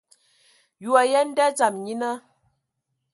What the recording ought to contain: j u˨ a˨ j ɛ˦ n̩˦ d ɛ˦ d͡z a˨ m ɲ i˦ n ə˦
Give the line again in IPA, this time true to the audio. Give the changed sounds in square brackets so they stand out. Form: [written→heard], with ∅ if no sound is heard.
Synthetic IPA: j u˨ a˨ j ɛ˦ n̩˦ d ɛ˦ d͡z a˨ m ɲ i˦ n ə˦